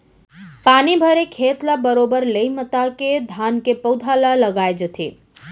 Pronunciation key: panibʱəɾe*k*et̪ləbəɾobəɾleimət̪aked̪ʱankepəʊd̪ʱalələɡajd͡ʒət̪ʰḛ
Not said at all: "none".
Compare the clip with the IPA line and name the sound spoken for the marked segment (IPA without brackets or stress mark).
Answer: kʰ